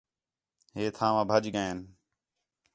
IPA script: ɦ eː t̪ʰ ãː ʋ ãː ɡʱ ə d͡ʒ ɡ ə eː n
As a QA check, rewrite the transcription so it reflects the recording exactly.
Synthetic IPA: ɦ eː t̪ʰ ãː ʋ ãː bʱ ə d͡ʒ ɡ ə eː n